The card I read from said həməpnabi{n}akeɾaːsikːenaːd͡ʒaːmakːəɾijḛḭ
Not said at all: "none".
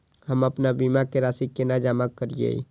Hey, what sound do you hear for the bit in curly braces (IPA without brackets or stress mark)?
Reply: m